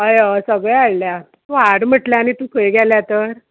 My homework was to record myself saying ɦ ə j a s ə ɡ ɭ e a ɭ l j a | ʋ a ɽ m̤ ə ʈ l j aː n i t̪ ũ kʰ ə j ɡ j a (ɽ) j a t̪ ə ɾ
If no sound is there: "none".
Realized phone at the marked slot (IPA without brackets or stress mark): l